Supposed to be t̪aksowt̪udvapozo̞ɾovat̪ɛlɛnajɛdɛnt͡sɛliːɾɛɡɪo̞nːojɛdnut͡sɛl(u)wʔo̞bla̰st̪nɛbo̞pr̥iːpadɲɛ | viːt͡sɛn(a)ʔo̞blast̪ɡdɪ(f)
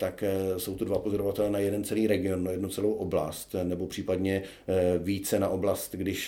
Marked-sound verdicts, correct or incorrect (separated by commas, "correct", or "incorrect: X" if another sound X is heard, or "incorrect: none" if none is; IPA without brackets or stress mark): incorrect: o, correct, incorrect: ʃ